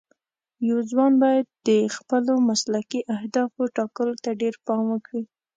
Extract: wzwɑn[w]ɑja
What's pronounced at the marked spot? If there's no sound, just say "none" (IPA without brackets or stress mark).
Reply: b